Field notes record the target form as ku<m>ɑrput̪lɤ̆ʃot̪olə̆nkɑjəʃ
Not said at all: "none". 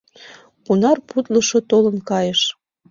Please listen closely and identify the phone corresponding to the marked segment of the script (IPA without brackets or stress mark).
n